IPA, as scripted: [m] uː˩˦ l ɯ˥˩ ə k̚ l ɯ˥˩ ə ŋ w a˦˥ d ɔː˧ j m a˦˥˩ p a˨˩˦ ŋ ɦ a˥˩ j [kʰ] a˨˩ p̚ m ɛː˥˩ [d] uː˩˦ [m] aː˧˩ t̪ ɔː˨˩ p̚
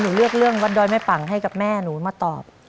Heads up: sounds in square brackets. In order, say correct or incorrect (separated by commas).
incorrect, incorrect, incorrect, correct